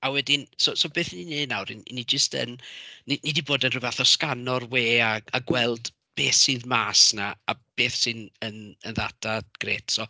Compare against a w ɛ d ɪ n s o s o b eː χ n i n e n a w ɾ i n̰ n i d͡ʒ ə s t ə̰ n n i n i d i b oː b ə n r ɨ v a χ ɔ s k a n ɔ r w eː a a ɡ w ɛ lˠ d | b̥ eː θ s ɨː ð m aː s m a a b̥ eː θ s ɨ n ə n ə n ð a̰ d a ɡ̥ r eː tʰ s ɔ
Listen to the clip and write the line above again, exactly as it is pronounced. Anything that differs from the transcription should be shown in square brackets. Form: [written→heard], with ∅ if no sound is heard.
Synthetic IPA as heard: a w ɛ d ɪ n s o s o b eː [χ→θ] n i n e n a w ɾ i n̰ n i d͡ʒ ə s t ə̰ n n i n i d i b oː [b→d] ə n r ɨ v a [χ→θ] ɔ s k a n ɔ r w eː a a ɡ w ɛ lˠ d | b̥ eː θ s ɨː ð m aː s [m→n] a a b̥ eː θ s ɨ n ə n ə n ð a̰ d a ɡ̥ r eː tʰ s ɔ